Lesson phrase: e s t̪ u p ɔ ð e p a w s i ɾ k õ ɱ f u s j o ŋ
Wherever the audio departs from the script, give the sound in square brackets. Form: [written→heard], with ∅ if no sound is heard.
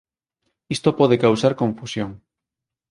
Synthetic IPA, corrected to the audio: [e→i] s t̪ [u→o] p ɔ ð e [p→k] a w s [i→a] ɾ k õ ɱ f u s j o ŋ